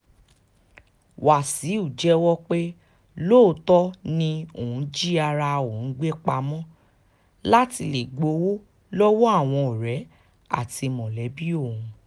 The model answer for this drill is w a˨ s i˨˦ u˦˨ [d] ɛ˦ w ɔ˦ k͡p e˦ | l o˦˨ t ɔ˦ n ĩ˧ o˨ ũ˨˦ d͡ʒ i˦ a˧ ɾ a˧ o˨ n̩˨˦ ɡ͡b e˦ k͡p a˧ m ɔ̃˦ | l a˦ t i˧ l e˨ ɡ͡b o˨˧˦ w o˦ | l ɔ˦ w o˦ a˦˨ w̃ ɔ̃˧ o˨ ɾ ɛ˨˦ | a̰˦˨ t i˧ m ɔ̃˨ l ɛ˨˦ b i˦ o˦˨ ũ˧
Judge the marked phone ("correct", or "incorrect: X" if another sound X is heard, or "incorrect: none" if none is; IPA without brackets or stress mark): incorrect: d͡ʒ